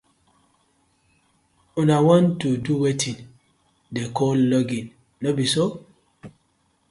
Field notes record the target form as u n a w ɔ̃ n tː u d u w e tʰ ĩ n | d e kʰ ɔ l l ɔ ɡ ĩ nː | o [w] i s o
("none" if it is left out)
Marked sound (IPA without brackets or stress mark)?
b